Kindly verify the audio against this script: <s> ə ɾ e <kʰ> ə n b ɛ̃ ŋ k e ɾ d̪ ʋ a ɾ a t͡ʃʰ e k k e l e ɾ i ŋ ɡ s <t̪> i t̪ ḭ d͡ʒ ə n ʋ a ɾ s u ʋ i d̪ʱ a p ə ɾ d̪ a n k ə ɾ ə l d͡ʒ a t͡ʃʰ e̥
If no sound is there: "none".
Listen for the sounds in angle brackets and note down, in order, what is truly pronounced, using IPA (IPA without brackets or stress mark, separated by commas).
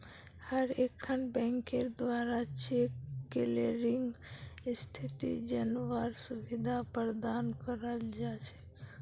h, kʰ, t̪ʰ